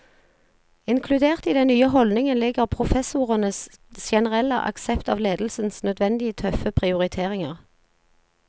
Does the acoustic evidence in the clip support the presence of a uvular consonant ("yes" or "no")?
yes